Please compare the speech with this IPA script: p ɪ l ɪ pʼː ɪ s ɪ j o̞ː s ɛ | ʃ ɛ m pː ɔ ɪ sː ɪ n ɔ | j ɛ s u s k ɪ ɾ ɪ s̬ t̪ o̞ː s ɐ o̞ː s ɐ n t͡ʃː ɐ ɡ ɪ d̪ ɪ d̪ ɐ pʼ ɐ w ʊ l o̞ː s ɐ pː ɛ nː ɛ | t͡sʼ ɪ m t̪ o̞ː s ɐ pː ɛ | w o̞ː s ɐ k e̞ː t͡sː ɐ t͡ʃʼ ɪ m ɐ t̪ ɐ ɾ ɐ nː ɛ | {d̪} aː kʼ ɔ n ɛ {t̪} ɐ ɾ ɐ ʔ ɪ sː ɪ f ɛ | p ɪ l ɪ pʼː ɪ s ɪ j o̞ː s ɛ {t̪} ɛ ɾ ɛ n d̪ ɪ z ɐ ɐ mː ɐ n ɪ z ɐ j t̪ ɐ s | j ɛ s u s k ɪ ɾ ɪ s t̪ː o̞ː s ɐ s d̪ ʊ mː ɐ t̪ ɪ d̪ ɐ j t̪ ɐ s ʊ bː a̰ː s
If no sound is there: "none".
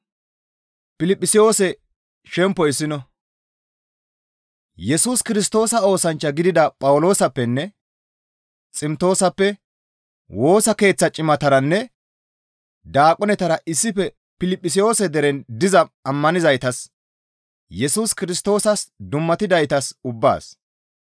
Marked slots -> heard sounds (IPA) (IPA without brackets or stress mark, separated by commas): d̪, t̪, d̪